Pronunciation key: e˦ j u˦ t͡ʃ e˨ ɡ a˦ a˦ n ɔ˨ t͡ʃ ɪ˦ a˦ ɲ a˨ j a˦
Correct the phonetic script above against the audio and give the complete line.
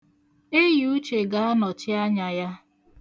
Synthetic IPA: e˦ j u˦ t͡ʃ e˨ ɡ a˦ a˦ n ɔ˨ t͡ʃ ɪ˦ a˦ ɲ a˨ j a˦

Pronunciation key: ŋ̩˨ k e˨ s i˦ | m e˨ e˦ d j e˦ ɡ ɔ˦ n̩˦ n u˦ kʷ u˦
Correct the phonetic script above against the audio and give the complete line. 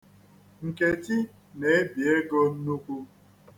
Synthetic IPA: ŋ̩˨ k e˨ t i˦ | n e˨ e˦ b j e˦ ɡ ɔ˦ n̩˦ n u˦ kʷ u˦

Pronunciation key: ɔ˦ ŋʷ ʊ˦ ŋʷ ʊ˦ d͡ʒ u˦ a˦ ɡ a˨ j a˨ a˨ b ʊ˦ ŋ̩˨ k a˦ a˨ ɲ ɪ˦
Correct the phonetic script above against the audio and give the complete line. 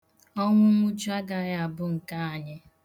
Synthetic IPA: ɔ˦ ŋʷ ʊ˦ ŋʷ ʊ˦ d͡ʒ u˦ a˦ ɡ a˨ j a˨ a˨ b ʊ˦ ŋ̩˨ k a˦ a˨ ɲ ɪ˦

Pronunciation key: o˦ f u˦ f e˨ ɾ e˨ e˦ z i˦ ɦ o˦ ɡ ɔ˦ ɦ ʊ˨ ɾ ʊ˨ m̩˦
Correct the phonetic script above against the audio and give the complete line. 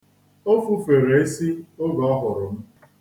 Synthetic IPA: o˦ f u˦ f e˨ ɾ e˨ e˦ s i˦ o˦ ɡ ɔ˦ ɦ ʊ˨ ɾ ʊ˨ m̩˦

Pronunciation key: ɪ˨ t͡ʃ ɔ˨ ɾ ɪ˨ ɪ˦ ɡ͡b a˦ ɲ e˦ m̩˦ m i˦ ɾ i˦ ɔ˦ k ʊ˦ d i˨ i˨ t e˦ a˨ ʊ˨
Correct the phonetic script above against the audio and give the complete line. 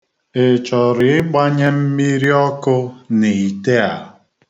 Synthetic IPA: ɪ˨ t͡ʃ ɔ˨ ɾ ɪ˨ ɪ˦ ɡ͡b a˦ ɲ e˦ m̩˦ m i˦ ɾ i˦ ɔ˦ k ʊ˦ n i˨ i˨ t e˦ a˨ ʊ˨

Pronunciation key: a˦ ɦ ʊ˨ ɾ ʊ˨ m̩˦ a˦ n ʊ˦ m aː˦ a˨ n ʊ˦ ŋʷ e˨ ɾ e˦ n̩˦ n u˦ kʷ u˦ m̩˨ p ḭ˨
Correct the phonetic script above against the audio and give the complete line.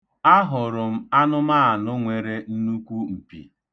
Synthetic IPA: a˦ ɦ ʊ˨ ɾ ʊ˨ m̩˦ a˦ n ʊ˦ m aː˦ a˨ n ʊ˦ ŋʷ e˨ ɾ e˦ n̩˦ n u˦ kʷ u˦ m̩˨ p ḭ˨

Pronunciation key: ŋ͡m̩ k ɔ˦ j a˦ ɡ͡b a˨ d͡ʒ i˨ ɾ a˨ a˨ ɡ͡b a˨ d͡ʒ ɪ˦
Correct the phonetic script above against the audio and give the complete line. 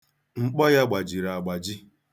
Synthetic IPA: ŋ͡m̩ k͡p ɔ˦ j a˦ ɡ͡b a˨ d͡ʒ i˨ ɾ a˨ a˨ ɡ͡b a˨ d͡ʒ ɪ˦

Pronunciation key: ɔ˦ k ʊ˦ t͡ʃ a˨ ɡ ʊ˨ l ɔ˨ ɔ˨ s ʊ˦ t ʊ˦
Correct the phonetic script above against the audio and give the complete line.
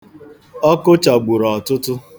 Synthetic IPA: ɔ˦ k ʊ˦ t͡ʃ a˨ ɡ͡b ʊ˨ ɾ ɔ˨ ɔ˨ t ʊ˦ t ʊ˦

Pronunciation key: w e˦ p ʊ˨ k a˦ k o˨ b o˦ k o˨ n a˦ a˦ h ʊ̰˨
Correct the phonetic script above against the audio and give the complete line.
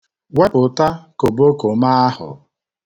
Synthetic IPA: w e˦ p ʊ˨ t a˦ k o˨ b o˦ k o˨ m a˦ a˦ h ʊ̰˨

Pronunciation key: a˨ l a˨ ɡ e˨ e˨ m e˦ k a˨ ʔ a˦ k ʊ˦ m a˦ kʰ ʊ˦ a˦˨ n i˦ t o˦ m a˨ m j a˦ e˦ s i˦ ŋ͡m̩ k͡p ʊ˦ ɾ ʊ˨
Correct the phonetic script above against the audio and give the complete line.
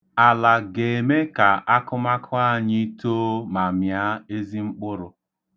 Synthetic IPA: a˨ l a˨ ɡ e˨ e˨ m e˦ k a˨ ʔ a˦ k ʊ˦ m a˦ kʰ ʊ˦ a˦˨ ɲ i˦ t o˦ m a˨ m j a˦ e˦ z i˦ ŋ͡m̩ k͡p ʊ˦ ɾ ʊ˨

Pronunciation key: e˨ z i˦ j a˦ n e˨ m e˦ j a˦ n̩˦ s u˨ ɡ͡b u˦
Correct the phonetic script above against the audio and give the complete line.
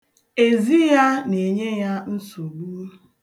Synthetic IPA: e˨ z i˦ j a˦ n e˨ ɲ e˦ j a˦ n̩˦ s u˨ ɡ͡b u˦

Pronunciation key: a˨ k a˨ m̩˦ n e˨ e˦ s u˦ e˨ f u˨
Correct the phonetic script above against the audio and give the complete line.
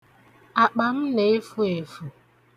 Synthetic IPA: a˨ k͡p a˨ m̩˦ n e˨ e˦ f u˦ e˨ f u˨

